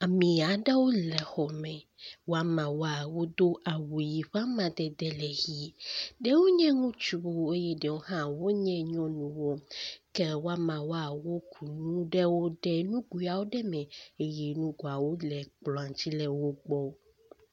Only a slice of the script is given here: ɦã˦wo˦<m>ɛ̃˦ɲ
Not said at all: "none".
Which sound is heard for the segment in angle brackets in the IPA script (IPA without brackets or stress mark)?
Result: ɲ